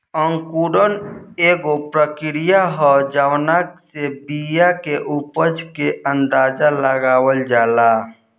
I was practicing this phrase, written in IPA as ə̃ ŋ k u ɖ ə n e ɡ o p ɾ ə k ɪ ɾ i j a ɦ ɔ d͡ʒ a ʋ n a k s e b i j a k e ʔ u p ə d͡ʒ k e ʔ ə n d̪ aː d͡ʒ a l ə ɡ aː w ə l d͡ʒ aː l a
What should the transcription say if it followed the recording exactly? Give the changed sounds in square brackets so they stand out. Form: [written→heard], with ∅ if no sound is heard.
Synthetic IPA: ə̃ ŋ k u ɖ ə n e ɡ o p ɾ ə k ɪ ɾ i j a ɦ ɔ d͡ʒ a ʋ n a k s e b i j a k e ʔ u p ə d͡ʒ k e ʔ ə n d̪ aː d͡ʒ a l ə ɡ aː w ə l d͡ʒ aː l a